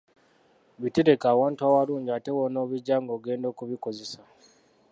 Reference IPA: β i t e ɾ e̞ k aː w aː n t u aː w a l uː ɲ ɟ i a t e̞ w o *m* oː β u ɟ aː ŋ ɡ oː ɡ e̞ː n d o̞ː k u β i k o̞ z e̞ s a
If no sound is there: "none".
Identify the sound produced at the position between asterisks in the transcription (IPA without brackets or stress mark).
n